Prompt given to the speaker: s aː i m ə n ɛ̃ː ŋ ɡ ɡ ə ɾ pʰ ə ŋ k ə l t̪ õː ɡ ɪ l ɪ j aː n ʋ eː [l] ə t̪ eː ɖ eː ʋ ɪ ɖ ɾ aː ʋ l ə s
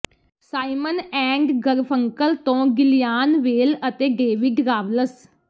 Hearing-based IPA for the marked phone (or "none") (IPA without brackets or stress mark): l